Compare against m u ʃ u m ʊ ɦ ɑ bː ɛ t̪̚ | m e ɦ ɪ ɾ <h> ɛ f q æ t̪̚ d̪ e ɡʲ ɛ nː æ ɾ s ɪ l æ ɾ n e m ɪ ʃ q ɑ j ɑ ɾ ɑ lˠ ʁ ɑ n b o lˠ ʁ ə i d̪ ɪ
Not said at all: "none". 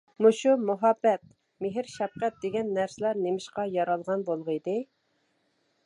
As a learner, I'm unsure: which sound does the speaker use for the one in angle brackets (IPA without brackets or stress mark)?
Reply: ʃ